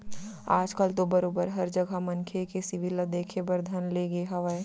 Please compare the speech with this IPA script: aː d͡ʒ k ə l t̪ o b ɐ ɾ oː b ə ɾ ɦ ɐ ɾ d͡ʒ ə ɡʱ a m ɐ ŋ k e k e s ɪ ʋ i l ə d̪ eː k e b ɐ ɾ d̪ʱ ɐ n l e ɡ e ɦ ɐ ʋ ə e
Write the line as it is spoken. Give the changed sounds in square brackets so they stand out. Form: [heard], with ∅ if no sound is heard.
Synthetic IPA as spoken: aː d͡ʒ k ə l t̪ o b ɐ ɾ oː b ə ɾ ɦ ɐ ɾ d͡ʒ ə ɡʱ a m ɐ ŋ [kʰ] e k e s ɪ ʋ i l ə d̪ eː [kʰ] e b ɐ ɾ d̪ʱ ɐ n l e ɡ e ɦ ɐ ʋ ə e